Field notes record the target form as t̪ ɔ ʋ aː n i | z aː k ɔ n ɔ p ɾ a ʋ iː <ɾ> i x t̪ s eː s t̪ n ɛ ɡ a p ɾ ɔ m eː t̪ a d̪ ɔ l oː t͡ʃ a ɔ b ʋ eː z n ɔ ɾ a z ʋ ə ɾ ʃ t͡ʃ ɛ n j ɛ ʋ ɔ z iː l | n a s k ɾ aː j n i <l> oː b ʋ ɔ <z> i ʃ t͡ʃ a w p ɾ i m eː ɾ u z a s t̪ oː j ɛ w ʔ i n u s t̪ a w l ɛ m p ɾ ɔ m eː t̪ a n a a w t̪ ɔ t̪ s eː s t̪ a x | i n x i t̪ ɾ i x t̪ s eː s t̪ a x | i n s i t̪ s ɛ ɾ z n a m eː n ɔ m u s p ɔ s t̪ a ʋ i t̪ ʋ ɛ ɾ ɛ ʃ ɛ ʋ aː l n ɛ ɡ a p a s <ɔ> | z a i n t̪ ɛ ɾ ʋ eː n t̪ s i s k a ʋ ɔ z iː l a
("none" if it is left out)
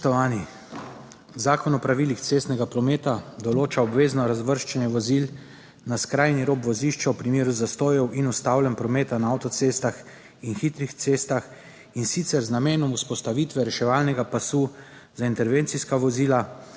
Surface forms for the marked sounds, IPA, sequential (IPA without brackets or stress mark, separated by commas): l, ɾ, z, u